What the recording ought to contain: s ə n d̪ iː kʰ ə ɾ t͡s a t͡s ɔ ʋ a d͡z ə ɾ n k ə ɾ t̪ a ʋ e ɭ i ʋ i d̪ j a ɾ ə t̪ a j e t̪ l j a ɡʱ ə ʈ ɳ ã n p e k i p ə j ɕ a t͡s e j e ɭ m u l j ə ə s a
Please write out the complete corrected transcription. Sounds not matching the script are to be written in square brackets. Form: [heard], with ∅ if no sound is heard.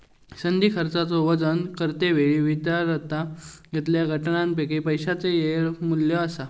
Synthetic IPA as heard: s ə n d̪ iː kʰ ə ɾ t͡s a t͡s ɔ ʋ [ə] d͡z ə [∅] n k ə ɾ t̪ [e] ʋ e ɭ i ʋ i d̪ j a ɾ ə t̪ a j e t̪ l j a ɡʱ ə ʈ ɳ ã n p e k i p ə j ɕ a t͡s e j e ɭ m u l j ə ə s a